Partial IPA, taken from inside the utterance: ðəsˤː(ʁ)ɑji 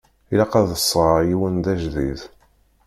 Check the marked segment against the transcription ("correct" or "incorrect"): correct